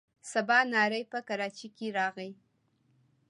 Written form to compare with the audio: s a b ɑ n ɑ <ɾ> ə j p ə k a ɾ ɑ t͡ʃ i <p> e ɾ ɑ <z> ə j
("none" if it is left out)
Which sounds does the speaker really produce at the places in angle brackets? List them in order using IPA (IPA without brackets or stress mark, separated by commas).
ɾ, k, ɣ